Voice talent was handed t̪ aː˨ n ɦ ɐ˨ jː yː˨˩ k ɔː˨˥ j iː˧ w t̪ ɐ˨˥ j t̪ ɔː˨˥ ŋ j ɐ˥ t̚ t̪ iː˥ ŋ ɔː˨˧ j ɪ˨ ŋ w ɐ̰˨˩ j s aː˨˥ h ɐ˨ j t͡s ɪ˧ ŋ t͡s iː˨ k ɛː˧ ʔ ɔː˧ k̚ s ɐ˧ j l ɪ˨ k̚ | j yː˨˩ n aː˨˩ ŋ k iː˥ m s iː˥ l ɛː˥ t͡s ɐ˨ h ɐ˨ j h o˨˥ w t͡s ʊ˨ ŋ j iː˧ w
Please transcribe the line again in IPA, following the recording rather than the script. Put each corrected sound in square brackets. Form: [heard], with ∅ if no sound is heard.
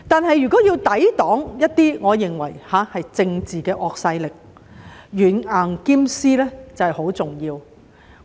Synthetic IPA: t̪ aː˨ n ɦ ɐ˨ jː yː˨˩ k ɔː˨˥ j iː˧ w t̪ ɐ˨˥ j t̪ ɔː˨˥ ŋ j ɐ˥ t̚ t̪ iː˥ ŋ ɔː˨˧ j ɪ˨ ŋ w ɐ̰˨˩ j [h] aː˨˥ h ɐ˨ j t͡s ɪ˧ ŋ t͡s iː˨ k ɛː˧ ʔ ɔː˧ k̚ s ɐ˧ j l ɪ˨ k̚ | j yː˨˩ n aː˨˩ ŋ k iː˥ m s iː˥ l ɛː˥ t͡s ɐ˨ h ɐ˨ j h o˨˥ w t͡s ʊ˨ ŋ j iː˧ w